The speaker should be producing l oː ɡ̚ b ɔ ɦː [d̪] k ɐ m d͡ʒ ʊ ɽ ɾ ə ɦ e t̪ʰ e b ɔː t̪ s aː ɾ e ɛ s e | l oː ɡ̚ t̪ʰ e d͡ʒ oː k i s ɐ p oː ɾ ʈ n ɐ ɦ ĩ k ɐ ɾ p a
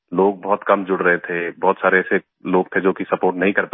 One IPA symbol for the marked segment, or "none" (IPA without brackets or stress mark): t̪